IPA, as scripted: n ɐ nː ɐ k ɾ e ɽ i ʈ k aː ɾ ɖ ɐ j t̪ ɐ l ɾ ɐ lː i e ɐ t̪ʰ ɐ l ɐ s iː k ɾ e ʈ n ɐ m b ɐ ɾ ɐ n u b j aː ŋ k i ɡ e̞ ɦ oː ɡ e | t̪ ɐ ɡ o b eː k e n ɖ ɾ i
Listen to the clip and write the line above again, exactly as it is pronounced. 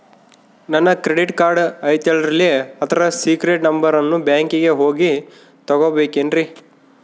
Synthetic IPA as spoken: n ɐ nː ɐ k ɾ e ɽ i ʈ k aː ɾ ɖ ɐ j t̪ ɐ l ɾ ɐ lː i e ɐ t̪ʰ ɐ ɾ ɐ s iː k ɾ e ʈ n ɐ m b ɐ ɾ ɐ nː u b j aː ŋ k i ɡ e̞ ɦ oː ɡ i | t̪ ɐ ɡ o b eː k e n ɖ ɾ i